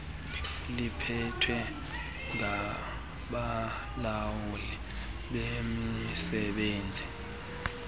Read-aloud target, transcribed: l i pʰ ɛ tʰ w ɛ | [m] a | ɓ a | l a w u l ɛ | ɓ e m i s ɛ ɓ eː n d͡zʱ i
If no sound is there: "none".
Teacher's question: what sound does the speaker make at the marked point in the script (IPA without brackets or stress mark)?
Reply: ŋ